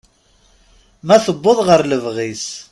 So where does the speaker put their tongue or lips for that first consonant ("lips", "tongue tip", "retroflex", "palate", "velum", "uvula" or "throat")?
lips